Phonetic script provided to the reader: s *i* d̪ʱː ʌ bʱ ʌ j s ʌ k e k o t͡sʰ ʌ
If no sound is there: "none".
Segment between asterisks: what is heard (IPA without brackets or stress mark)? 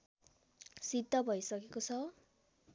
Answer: i